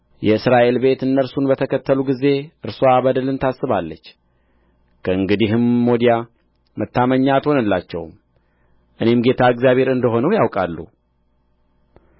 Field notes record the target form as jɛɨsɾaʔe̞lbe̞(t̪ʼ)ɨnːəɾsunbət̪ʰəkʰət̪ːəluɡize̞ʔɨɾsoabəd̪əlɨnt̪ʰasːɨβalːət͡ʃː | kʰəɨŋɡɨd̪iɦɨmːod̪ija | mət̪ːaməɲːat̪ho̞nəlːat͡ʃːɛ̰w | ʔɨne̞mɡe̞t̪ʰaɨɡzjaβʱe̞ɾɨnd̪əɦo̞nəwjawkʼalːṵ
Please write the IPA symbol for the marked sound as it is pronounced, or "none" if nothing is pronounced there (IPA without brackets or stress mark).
t̪